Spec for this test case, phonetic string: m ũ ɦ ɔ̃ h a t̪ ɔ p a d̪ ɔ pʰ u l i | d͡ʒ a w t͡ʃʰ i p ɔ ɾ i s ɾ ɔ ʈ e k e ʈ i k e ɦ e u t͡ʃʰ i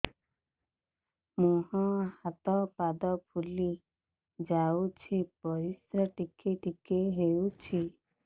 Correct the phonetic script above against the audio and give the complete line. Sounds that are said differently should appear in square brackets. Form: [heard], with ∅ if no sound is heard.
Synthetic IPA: m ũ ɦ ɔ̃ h a t̪ ɔ p a d̪ ɔ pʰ u l i | d͡ʒ a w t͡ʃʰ i p ɔ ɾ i s ɾ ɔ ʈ [i] k e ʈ i k e ɦ e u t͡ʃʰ i